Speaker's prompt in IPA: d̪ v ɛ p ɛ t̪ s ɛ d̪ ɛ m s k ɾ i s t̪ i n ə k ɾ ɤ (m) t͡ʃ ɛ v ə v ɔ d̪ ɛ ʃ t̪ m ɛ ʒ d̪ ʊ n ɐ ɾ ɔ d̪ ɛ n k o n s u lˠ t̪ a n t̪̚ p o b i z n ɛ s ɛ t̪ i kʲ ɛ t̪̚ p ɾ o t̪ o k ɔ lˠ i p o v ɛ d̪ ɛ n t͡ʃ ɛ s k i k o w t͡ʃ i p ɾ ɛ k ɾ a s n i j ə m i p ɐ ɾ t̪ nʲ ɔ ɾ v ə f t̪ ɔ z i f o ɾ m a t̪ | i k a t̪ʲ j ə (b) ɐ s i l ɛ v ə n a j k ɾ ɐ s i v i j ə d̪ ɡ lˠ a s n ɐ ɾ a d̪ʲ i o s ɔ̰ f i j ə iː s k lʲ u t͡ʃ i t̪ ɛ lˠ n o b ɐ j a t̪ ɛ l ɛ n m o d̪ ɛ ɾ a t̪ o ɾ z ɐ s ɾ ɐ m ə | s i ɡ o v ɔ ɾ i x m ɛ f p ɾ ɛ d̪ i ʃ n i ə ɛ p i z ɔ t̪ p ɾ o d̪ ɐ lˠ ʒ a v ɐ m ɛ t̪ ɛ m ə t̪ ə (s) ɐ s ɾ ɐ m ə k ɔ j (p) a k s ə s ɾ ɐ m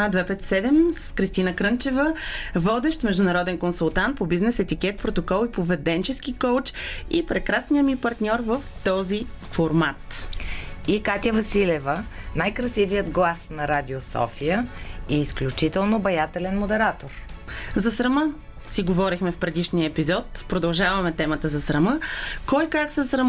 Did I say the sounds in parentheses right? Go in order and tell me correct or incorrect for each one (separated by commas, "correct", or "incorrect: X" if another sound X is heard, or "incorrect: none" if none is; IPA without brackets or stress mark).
incorrect: n, incorrect: v, incorrect: z, incorrect: k